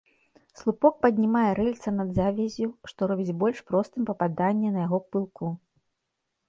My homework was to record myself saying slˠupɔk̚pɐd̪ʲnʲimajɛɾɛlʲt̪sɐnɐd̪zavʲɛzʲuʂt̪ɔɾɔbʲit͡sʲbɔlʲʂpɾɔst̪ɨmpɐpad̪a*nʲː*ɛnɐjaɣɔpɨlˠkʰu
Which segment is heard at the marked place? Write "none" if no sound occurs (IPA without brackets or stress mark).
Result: nʲː